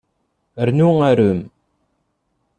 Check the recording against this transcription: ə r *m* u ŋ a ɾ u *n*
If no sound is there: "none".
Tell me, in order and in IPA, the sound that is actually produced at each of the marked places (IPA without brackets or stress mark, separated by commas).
n, m